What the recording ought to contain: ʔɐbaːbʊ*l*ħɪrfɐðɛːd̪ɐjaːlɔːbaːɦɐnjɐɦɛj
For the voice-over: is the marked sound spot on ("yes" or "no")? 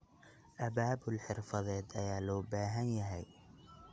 yes